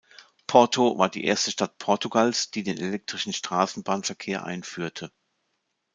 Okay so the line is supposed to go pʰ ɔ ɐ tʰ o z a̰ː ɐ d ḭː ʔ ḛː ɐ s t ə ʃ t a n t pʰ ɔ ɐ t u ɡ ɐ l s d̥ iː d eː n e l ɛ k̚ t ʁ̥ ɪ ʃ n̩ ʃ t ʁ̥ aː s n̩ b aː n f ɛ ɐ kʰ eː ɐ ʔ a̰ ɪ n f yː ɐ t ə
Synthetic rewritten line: pʰ ɔ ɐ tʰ o v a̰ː ɐ d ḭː ʔ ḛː ɐ s t ə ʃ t a t pʰ ɔ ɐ t u ɡ a l s d̥ iː d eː n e l ɛ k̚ t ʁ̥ ɪ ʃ n̩ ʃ t ʁ̥ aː s n̩ b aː n f ɛ ɐ kʰ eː ɐ ʔ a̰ ɪ n f yː ɐ tʰ ə